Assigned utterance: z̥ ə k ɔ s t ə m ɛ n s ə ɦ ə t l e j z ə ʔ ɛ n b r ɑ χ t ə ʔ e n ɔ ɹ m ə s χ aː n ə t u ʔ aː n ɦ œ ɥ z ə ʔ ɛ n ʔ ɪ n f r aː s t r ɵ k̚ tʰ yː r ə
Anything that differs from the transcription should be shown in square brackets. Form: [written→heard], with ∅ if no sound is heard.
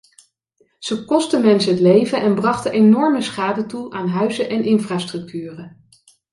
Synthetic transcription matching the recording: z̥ ə k ɔ s t ə m ɛ n s ə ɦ ə t l e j [z→v] ə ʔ ɛ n b r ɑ χ t ə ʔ e n ɔ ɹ m ə s χ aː [n→d] ə t u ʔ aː n ɦ œ ɥ z ə ʔ ɛ n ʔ ɪ n f r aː s t r ɵ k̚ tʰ yː r ə